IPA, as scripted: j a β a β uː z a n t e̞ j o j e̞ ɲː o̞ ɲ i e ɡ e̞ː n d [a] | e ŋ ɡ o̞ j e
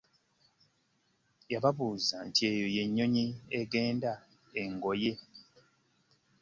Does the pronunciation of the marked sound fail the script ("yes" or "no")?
no